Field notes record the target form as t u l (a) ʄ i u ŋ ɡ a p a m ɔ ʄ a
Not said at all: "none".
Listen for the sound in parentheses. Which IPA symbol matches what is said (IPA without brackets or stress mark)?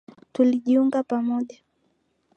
i